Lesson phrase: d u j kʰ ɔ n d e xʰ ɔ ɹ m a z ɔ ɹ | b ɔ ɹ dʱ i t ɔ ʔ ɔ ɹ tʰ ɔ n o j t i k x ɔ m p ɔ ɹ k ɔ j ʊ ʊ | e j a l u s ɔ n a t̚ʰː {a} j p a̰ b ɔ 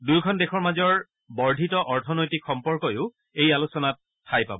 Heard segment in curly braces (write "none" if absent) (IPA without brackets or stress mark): a